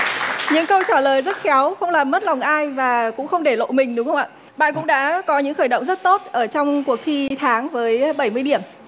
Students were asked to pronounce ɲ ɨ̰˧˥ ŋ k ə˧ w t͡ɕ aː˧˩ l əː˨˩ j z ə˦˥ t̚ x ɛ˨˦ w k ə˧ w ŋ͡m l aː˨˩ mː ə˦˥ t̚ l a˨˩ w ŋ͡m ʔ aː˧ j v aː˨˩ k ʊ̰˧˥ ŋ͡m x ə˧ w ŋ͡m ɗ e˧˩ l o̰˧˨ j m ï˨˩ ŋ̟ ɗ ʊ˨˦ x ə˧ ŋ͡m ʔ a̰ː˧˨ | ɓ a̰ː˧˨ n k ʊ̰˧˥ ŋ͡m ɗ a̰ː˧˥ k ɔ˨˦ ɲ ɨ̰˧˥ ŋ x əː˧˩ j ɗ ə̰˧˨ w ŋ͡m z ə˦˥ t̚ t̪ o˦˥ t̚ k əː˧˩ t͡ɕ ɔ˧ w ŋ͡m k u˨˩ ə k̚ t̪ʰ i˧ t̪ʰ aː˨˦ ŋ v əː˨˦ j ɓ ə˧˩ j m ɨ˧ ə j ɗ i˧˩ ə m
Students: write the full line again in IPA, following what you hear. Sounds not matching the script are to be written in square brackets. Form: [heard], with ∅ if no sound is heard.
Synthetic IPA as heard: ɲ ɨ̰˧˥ ŋ k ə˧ w t͡ɕ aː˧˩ l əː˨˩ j z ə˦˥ t̚ x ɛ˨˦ w [x] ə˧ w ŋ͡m l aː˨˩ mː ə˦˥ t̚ l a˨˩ w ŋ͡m ʔ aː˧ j v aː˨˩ k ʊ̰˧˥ ŋ͡m x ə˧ w ŋ͡m ɗ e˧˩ l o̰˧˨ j m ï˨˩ ŋ̟ ɗ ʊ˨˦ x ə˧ ŋ͡m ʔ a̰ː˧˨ | ɓ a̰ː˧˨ n k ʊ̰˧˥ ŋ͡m ɗ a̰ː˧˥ k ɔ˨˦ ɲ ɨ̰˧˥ ŋ x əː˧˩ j ɗ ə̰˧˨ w ŋ͡m z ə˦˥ t̚ t̪ o˦˥ t̚ [ʔ] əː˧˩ t͡ɕ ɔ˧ w ŋ͡m k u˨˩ ə k̚ t̪ʰ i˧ t̪ʰ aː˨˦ ŋ v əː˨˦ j ɓ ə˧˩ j m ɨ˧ ə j ɗ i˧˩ ə m